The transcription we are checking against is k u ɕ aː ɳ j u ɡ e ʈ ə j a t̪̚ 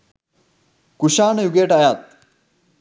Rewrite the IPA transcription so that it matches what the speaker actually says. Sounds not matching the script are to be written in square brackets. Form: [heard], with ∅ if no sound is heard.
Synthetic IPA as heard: k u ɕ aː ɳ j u ɡ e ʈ [a] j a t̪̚